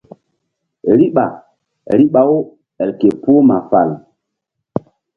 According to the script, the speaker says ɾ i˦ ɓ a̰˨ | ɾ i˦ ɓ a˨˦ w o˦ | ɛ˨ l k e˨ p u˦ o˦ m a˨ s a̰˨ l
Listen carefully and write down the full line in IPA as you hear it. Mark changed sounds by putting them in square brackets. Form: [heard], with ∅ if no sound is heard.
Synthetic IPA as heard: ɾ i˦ ɓ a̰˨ | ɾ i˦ ɓ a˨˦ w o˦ | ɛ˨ l k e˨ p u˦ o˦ m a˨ [f] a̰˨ l